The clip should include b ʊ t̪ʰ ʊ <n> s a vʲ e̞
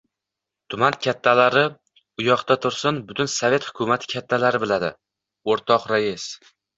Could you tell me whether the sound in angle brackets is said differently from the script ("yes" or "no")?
no